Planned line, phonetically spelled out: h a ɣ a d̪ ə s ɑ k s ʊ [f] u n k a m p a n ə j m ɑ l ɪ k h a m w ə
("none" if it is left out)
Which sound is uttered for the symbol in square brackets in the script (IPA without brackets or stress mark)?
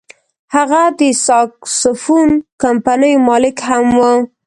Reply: f